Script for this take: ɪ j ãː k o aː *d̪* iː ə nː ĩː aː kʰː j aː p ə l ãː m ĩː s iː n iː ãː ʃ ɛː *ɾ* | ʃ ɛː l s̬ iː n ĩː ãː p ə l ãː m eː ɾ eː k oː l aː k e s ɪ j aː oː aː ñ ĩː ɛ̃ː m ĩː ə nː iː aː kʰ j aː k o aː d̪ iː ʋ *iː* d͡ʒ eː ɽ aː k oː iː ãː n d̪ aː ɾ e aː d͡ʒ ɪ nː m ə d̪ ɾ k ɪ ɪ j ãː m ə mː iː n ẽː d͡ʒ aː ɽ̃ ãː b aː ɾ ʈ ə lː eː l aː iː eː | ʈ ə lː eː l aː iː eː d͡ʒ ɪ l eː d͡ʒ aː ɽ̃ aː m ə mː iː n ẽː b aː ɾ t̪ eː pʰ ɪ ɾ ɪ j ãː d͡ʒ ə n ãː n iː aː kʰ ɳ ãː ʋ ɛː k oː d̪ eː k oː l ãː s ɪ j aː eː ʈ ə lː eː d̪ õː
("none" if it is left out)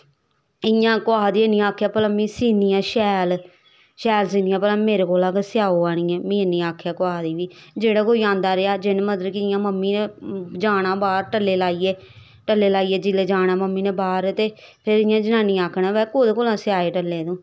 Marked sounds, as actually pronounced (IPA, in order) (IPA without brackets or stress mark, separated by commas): d̪, l, iː